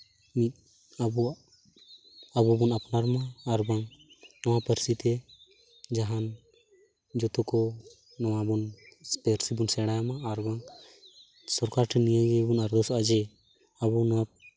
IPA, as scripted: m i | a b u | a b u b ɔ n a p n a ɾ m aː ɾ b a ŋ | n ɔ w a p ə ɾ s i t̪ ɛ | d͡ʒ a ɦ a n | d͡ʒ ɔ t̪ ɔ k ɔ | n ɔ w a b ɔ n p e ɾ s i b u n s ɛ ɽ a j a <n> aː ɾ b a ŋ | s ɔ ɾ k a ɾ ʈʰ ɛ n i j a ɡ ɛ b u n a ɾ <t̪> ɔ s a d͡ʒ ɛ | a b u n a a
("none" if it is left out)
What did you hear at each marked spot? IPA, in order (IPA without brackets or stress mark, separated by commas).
m, d̪